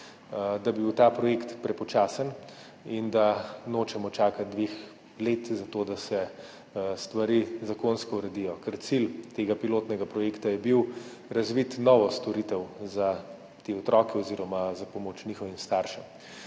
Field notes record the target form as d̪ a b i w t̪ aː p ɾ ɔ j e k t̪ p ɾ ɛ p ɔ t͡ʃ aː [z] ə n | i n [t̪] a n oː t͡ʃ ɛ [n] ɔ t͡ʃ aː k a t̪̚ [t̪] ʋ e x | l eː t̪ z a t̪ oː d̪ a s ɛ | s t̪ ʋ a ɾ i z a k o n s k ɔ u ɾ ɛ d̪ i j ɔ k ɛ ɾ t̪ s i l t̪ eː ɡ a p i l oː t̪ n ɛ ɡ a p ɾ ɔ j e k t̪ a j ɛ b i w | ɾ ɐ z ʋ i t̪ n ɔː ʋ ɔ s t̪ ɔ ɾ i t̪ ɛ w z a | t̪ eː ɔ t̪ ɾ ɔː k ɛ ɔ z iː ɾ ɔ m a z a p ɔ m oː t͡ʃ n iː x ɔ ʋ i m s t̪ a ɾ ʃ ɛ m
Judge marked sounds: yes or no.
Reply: no, no, no, no

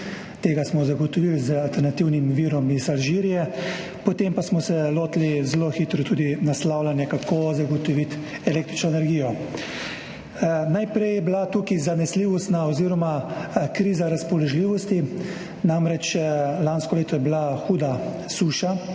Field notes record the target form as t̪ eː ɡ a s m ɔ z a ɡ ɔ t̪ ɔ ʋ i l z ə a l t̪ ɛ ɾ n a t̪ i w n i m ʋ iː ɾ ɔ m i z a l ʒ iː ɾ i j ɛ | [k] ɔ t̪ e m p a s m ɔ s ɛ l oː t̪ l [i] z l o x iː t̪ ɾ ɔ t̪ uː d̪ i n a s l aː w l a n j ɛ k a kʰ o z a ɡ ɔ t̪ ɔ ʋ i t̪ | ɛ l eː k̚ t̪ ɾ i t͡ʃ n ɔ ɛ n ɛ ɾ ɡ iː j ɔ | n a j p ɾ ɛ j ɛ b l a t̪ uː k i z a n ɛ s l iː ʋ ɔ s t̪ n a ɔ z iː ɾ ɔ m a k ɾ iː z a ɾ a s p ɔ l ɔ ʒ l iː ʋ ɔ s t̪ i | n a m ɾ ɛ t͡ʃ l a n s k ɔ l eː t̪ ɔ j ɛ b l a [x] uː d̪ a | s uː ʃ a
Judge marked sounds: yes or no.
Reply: no, yes, yes

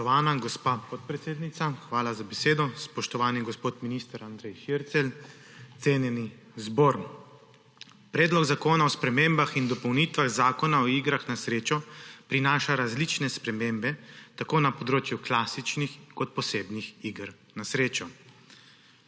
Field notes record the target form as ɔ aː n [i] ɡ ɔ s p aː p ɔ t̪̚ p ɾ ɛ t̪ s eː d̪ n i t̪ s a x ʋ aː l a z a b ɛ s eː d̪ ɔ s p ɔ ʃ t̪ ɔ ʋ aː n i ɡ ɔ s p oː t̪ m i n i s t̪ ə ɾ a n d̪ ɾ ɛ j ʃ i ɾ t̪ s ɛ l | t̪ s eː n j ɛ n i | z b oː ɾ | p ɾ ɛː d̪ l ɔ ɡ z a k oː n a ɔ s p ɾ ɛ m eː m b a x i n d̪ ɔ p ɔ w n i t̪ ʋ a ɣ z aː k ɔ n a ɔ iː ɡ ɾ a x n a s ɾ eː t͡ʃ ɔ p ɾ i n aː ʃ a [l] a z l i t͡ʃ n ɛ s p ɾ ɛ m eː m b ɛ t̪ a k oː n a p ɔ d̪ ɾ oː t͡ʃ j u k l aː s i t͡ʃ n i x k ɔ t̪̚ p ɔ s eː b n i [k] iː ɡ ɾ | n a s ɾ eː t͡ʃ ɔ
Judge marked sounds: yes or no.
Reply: no, no, no

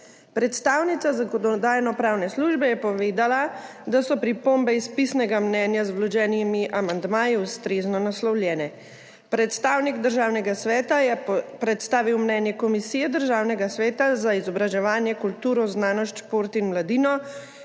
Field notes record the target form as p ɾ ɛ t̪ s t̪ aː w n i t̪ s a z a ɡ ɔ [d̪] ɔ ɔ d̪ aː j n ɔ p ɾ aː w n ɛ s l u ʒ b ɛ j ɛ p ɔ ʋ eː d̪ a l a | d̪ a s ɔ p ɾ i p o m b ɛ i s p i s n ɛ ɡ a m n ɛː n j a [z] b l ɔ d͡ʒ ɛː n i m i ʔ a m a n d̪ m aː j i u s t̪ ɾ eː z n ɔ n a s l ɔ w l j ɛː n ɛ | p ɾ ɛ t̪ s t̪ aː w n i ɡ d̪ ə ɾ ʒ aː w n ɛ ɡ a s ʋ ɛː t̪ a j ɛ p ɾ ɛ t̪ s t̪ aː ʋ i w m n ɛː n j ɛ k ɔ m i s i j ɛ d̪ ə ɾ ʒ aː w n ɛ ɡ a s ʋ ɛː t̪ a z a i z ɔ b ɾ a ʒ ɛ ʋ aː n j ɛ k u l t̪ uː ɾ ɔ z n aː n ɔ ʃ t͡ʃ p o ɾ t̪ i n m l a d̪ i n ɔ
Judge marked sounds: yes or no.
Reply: yes, yes

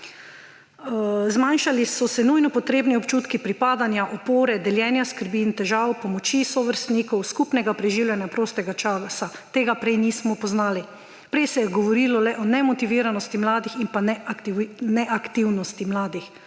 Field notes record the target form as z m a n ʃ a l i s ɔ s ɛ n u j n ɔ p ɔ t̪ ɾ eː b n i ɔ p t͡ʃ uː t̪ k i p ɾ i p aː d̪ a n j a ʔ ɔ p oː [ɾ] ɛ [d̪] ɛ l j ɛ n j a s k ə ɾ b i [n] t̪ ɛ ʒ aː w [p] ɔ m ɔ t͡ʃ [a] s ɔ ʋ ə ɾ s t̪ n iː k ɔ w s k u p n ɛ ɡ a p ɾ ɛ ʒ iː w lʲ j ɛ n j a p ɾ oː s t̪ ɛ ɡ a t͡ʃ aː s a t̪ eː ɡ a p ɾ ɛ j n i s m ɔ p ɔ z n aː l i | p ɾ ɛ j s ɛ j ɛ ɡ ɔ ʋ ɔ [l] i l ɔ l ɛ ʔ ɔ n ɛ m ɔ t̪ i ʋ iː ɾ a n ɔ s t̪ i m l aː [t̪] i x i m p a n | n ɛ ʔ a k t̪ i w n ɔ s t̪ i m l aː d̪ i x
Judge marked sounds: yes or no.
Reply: yes, yes, yes, yes, no, no, no

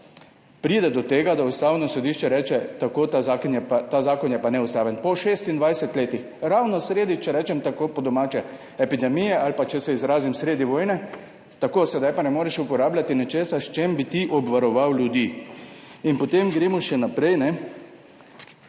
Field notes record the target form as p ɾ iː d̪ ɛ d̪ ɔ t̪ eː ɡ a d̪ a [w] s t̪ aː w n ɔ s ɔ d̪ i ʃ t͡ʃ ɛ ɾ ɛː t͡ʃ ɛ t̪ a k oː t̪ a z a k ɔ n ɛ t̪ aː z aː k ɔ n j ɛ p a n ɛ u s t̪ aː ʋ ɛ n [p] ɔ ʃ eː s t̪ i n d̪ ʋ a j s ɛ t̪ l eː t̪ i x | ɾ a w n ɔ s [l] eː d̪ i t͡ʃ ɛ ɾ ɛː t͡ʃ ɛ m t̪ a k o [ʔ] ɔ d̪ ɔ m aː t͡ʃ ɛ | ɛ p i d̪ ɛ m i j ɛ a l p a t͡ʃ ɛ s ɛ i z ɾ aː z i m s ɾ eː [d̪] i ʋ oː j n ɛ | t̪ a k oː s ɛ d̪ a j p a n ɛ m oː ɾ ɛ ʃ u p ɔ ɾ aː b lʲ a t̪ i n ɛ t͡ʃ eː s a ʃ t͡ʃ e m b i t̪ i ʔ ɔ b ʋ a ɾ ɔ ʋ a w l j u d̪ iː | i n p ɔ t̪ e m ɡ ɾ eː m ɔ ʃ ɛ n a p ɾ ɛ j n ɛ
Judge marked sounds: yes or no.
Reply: no, yes, no, no, yes

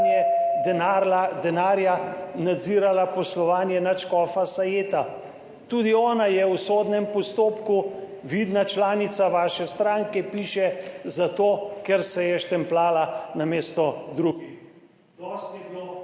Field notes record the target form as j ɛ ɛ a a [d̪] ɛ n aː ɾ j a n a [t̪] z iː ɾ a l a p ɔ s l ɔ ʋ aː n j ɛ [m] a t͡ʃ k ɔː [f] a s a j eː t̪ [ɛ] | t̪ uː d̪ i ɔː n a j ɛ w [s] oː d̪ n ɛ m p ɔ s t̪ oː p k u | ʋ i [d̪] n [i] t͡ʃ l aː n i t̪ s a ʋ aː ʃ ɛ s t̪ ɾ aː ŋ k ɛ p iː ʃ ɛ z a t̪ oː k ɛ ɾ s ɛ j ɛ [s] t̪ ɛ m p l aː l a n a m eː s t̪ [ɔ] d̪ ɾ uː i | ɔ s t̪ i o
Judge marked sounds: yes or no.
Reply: yes, no, no, yes, no, yes, yes, no, no, yes

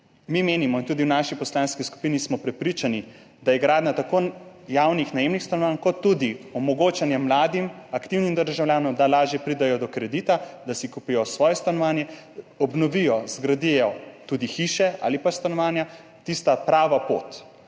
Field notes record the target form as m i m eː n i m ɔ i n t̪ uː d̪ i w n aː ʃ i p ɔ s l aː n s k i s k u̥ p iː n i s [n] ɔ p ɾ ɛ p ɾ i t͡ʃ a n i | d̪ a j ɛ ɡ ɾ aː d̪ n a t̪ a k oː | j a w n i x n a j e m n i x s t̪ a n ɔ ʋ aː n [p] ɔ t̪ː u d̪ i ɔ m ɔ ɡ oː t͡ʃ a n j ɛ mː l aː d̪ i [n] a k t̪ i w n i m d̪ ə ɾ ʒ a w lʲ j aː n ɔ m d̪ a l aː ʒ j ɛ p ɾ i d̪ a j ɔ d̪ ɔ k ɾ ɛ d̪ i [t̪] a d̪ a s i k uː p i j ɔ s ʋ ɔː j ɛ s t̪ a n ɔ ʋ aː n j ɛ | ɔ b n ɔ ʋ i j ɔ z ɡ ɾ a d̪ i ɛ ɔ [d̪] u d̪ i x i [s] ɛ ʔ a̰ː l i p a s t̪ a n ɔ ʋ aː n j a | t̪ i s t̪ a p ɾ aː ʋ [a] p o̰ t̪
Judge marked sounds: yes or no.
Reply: no, no, no, yes, no, no, yes

